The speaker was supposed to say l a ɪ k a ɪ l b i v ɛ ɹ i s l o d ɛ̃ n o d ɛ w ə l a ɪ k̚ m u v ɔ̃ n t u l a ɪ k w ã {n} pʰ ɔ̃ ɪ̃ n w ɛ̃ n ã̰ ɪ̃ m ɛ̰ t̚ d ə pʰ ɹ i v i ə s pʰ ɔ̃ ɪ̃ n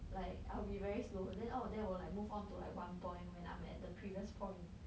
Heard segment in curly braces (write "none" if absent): n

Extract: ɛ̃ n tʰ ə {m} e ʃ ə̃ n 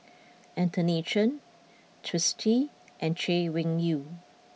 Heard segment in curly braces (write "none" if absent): n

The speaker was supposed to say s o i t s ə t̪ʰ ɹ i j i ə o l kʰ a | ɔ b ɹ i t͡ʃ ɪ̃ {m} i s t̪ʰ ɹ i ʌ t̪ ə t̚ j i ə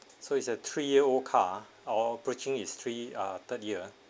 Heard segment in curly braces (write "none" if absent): ŋ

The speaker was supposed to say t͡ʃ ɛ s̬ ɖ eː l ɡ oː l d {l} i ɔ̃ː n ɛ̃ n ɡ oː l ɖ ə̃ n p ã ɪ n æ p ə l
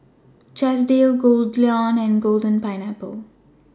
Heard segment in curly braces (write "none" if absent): l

